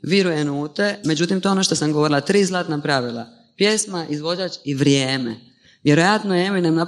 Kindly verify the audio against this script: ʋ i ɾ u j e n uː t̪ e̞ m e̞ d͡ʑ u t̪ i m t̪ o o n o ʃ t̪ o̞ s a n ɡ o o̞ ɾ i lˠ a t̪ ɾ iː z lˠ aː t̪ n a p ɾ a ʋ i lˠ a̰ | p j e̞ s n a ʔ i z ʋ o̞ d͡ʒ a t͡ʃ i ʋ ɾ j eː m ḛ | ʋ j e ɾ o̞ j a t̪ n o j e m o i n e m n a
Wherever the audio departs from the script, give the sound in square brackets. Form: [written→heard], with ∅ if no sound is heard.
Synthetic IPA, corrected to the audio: ʋ i ɾ u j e n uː t̪ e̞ m e̞ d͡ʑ u t̪ i m t̪ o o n o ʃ t̪ o̞ s a [n→m] ɡ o o̞ ɾ i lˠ a t̪ ɾ iː z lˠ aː t̪ n a p ɾ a ʋ i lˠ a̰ | p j e̞ s [n→m] a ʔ i z ʋ o̞ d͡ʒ a t͡ʃ i ʋ ɾ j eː m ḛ | ʋ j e ɾ o̞ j a t̪ n o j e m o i n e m n a